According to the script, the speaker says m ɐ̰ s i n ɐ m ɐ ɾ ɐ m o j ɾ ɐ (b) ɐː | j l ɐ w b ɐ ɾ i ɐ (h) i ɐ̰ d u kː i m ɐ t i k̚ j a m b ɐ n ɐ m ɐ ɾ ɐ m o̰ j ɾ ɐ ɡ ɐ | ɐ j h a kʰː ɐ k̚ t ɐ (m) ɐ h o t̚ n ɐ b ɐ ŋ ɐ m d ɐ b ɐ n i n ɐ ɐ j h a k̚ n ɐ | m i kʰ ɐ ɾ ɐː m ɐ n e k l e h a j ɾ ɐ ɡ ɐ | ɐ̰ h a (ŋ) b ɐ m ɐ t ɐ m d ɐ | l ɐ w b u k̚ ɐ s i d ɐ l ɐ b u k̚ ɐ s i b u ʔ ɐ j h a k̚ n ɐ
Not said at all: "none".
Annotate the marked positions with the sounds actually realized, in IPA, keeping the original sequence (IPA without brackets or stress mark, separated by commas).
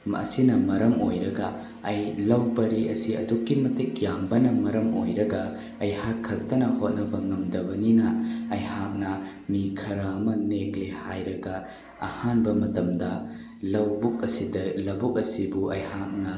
ɡ, s, n, n